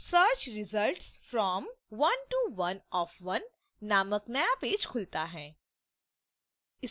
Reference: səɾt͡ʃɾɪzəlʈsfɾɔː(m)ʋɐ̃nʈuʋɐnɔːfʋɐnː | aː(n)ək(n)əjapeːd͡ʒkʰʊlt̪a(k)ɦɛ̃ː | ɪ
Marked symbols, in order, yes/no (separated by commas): yes, no, yes, no